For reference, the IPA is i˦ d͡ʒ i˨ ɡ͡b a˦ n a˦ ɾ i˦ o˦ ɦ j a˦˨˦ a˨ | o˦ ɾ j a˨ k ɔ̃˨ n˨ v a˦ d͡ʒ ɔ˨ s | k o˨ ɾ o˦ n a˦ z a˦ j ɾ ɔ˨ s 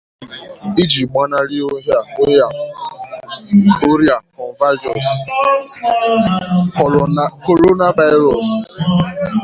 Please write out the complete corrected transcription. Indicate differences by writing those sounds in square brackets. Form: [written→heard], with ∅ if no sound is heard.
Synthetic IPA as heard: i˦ d͡ʒ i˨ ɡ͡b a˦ n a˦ ɾ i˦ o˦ ɦ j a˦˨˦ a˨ | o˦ ɾ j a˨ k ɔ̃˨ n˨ v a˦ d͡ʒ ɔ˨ s | k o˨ ɾ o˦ n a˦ [z→v] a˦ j ɾ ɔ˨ s